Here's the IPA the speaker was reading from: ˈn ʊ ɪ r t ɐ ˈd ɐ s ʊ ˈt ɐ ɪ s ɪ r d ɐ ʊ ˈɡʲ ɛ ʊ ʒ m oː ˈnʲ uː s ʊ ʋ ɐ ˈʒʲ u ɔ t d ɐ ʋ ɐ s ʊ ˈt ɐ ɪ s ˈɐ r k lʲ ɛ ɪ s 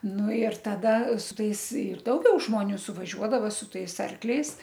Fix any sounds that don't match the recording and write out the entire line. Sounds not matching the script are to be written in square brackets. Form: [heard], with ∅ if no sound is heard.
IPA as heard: ˈn ʊ ɪ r t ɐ ˈd ɐ s ʊ ˈt ɐ ɪ s ɪ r d ɐ ʊ ˈɡʲ ɛ ʊ ʒ m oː ˈnʲ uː s ʊ ʋ ɐ ˈʒʲ u ɔ [∅] d ɐ ʋ ɐ s ʊ ˈt ɐ ɪ s ˈɐ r k lʲ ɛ ɪ s